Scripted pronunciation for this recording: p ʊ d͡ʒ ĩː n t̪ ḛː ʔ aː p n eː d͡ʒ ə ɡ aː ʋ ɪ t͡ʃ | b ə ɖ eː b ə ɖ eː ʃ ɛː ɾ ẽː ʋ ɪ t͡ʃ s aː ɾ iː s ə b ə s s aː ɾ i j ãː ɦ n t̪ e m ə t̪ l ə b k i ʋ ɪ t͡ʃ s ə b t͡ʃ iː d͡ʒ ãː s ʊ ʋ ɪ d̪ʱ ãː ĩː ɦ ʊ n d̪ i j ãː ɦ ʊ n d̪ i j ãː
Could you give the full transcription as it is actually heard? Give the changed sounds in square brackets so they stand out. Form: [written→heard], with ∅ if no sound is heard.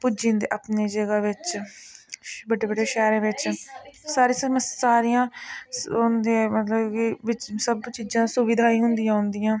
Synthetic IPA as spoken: p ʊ d͡ʒ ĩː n [t̪→d̪] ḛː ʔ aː p n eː d͡ʒ ə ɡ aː ʋ ɪ t͡ʃ | b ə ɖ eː b ə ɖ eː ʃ ɛː ɾ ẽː ʋ ɪ t͡ʃ s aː ɾ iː s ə [b→m] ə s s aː ɾ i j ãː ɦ n [t̪→d̪] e m ə t̪ l ə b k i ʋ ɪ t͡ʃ s ə b t͡ʃ iː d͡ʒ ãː s ʊ ʋ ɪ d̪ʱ [ãː→aː] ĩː ɦ ʊ n d̪ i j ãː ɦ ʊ n d̪ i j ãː